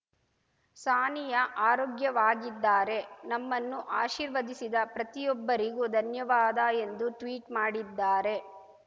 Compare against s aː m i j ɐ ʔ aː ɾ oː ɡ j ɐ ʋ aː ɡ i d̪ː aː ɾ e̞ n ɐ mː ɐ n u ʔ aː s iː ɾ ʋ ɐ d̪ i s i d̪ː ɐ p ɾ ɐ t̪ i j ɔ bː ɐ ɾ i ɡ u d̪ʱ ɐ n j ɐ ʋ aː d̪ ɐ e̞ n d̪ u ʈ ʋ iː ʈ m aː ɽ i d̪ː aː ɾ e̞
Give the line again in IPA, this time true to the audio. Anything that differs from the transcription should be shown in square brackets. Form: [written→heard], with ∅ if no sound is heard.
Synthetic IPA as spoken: s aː [m→n] i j ɐ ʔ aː ɾ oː ɡ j ɐ ʋ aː ɡ i d̪ː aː ɾ e̞ n ɐ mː ɐ [n→nː] u ʔ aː [s→ʃ] iː ɾ ʋ ɐ d̪ i s i [d̪ː→d̪] ɐ p ɾ ɐ t̪ i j ɔ bː ɐ ɾ i ɡ u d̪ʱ ɐ n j ɐ ʋ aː d̪ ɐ e̞ n d̪ u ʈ ʋ iː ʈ m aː ɽ i d̪ː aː ɾ e̞

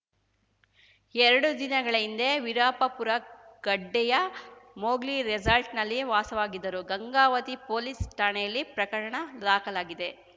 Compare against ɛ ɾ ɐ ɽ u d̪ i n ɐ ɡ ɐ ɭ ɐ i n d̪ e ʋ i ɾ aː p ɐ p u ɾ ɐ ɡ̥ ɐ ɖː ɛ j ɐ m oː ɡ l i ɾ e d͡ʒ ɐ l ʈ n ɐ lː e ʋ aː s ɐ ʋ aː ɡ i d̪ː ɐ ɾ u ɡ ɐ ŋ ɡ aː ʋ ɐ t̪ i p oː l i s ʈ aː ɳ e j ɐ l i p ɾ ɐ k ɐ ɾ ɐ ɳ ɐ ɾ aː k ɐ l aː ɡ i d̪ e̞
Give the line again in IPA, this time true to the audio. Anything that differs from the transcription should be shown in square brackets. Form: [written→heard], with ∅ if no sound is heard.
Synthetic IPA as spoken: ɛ ɾ ɐ ɽ u d̪ i n ɐ ɡ ɐ ɭ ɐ i n d̪ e ʋ i ɾ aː p ɐ p u ɾ ɐ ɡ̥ ɐ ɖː ɛ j ɐ m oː ɡ l i ɾ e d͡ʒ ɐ l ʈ n ɐ lː [e→i] ʋ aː s ɐ ʋ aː ɡ i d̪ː ɐ ɾ u ɡ ɐ ŋ ɡ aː ʋ ɐ t̪ i p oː l i s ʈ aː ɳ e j ɐ [l→lː] i p ɾ ɐ k ɐ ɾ ɐ ɳ ɐ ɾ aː k ɐ l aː ɡ i d̪ e̞

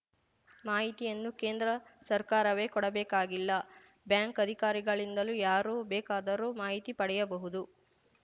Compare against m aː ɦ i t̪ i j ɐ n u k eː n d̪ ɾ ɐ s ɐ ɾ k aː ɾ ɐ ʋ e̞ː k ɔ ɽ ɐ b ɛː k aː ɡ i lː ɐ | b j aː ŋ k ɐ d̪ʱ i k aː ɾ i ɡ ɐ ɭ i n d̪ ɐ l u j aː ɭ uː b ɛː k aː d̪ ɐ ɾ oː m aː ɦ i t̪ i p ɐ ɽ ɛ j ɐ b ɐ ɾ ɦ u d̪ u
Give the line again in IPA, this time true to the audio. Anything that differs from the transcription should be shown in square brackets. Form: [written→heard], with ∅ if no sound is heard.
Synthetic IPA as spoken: m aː ɦ i t̪ i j ɐ [n→nː] u k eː n d̪ ɾ ɐ s ɐ ɾ k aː ɾ ɐ ʋ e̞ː k ɔ ɽ ɐ b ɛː k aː ɡ i lː ɐ | b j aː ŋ k ɐ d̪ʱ i k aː ɾ i ɡ ɐ ɭ i n d̪ ɐ l u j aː [ɭ→ɾ] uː b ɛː k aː d̪ ɐ ɾ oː m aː ɦ i t̪ i p ɐ ɽ ɛ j ɐ b ɐ [ɾ→∅] ɦ u d̪ u

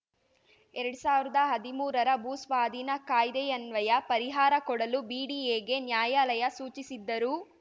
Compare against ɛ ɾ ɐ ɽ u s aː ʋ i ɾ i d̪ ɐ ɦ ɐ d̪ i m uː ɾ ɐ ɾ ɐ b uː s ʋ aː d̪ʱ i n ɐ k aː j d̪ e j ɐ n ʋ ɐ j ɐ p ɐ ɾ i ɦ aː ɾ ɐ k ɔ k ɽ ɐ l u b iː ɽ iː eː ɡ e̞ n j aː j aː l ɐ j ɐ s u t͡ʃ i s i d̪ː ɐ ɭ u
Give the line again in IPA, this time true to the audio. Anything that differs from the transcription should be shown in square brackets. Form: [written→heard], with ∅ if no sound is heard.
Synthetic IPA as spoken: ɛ ɾ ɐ ɽ u s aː ʋ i ɾ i d̪ ɐ ɦ ɐ d̪ i m uː ɾ ɐ ɾ ɐ b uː s ʋ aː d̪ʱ i n ɐ k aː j d̪ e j ɐ n ʋ ɐ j ɐ p ɐ ɾ i ɦ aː ɾ ɐ k ɔ [k→∅] ɽ ɐ l u b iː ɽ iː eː ɡ e̞ n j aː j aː l ɐ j ɐ s [u→uː] t͡ʃ i s i d̪ː ɐ [ɭ→ɾ] u

